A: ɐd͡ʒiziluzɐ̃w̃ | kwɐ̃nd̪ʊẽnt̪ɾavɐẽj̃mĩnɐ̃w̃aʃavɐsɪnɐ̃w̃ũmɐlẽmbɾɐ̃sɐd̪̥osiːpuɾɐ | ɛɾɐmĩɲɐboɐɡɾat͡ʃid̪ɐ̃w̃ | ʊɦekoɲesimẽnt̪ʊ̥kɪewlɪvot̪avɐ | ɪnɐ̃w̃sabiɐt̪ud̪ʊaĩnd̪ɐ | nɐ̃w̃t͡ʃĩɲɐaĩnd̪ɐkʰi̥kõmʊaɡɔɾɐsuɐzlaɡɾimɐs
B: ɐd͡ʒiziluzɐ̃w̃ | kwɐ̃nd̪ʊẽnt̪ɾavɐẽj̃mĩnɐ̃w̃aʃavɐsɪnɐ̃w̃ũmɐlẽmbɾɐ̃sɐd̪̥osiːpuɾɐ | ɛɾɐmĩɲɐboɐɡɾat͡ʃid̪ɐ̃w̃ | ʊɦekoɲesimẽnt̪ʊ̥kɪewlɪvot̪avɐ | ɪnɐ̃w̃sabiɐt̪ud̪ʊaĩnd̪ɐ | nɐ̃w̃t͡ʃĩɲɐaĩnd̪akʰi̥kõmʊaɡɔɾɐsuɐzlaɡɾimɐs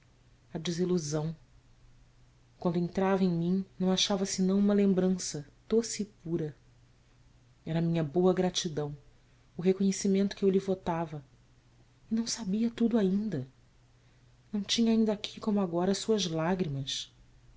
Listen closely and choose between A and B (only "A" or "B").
B